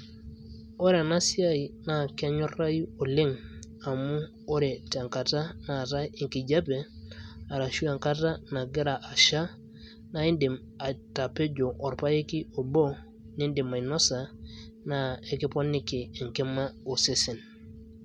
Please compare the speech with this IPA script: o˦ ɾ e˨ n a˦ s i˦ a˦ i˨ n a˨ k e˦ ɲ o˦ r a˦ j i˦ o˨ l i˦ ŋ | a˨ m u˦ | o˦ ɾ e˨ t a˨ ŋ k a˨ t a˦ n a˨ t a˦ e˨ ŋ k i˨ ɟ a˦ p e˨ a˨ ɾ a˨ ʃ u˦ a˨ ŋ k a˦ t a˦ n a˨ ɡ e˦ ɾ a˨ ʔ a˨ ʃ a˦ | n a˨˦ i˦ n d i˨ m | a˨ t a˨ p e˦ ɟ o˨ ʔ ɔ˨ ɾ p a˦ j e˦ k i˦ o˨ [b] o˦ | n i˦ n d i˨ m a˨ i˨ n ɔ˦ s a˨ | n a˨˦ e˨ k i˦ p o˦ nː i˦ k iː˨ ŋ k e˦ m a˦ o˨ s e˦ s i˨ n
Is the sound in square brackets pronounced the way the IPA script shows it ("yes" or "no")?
yes